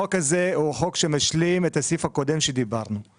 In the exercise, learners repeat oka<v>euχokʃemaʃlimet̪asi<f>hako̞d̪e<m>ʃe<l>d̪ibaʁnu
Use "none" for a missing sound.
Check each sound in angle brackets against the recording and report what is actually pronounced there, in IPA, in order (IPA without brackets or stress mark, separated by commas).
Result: z, f, m, none